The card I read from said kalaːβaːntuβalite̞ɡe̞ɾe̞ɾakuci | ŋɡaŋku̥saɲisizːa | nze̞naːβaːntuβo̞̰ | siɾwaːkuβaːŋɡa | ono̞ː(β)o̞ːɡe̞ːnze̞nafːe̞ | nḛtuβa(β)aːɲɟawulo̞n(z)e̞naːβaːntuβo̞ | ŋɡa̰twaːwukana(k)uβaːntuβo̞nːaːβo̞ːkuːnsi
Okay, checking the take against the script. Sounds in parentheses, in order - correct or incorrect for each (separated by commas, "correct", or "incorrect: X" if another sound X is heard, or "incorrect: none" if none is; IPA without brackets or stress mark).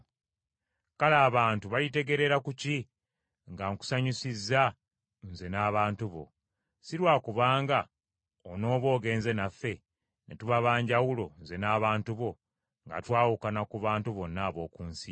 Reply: correct, correct, correct, correct